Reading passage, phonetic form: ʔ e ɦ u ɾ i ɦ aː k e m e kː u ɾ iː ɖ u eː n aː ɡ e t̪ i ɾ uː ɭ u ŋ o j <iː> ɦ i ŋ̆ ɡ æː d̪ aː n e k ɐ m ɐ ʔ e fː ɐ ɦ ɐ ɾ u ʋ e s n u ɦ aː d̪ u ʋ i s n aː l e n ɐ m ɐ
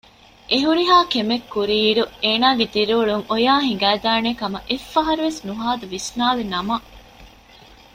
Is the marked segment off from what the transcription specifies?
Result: yes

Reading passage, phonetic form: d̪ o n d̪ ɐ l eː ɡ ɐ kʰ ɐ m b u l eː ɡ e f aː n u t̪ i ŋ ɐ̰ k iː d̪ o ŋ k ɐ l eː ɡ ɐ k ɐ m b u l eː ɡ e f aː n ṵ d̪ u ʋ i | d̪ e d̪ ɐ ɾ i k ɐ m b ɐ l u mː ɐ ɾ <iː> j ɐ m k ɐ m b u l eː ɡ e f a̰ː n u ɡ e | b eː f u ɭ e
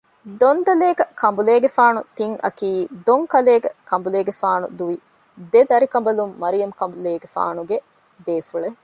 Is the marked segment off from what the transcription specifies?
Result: yes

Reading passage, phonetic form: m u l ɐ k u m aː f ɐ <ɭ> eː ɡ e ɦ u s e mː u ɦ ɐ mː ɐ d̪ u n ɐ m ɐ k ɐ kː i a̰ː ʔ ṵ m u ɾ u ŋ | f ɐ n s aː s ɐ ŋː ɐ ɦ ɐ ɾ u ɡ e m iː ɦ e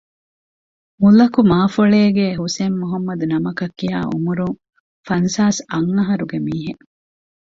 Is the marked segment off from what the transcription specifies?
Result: no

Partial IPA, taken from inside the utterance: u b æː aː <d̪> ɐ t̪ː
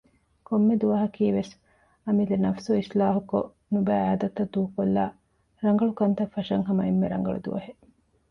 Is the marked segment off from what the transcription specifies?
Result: no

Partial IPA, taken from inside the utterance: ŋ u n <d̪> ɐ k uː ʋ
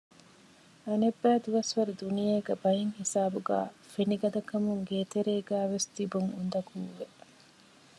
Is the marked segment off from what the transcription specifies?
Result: no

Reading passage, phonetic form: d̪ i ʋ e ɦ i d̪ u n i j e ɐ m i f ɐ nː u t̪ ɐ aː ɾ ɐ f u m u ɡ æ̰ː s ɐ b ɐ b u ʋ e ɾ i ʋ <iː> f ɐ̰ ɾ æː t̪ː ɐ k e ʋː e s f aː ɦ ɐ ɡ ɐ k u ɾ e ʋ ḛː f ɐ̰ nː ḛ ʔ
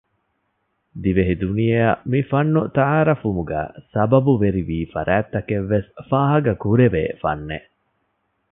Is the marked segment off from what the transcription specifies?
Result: no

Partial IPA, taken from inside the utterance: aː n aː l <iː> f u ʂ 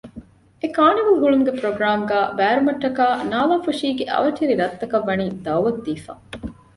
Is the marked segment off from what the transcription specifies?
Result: yes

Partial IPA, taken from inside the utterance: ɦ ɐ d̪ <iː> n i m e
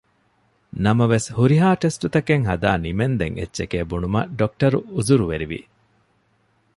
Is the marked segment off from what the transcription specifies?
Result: yes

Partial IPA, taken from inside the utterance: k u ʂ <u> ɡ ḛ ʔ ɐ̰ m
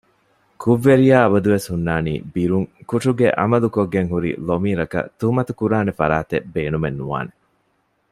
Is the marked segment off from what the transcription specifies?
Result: no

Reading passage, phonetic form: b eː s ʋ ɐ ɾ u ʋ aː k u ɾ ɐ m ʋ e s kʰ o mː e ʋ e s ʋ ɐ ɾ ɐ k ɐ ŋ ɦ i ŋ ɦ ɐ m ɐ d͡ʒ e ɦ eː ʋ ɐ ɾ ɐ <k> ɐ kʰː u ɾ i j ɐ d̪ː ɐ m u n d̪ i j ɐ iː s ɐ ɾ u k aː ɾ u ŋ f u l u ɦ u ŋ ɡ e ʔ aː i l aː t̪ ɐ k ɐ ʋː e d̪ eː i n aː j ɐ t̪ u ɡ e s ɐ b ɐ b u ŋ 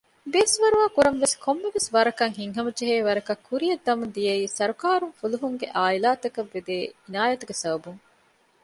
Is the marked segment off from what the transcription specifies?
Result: no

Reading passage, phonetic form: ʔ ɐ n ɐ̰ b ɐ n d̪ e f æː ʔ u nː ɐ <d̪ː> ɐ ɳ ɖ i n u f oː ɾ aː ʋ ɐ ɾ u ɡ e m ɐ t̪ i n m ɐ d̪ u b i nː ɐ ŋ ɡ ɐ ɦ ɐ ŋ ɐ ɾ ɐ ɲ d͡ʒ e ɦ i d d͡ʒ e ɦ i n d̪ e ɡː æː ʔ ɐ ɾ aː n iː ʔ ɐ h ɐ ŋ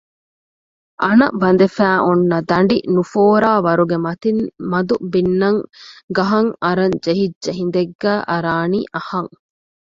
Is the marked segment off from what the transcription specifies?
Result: yes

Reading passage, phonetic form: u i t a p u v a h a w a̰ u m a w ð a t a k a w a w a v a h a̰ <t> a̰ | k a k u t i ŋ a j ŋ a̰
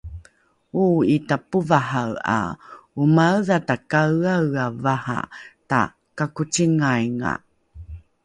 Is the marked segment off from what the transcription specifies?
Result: no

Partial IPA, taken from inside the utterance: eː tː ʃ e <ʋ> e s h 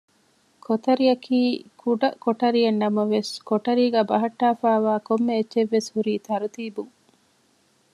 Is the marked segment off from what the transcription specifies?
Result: yes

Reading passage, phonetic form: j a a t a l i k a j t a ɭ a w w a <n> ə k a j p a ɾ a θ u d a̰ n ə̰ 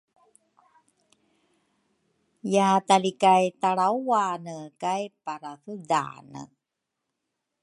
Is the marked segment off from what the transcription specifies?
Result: no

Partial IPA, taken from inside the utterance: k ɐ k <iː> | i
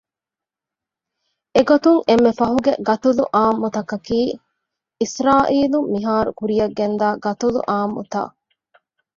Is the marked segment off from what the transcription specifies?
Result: no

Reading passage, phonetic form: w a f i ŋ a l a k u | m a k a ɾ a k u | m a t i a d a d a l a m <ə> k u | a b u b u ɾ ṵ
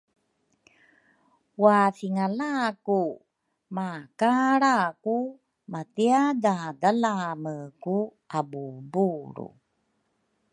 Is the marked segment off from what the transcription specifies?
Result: no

